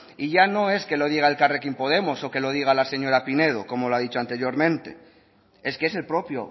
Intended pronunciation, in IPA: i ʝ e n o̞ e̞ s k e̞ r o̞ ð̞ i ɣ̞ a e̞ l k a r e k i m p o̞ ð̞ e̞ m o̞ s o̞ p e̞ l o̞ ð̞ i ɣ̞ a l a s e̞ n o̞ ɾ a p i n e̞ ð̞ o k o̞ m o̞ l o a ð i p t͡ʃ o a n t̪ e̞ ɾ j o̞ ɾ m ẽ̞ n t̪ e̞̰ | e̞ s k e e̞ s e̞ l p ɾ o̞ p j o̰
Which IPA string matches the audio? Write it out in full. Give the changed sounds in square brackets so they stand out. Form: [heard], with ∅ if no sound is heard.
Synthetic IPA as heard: i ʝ [a] n o̞ e̞ s k e̞ [l] o̞ ð̞ i ɣ̞ a e̞ l k a r e k i m p o̞ ð̞ e̞ m o̞ s o̞ [k] e̞ l o̞ ð̞ i ɣ̞ a l a s e̞ [ɲ] o̞ ɾ a p i n e̞ ð̞ o k o̞ m o̞ l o a ð i [∅] t͡ʃ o a n t̪ e̞ ɾ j o̞ ɾ m ẽ̞ n t̪ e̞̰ | e̞ s k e e̞ s e̞ l p ɾ o̞ p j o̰